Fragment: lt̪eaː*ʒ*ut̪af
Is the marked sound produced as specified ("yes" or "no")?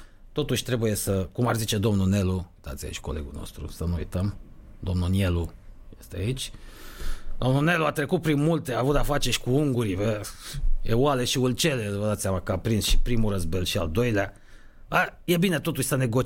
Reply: no